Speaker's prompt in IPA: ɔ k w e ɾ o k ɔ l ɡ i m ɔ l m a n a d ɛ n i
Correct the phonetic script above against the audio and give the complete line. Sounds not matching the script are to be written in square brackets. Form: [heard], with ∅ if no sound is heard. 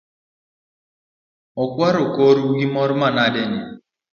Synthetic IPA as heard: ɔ k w [a] ɾ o k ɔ [ɾ] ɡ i m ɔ [ɾ] m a n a d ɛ n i